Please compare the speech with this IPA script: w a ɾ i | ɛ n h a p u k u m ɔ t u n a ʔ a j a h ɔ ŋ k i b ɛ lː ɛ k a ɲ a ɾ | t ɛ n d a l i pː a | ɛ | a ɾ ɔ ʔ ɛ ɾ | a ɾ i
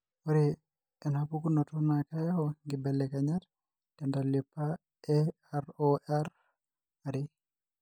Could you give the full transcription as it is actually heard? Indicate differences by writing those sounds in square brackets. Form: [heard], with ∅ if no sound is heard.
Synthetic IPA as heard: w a ɾ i | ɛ n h a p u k u [n] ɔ t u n a [k] a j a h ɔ ŋ [ɡ] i b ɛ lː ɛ k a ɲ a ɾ | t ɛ n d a l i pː a | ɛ | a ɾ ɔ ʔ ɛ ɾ | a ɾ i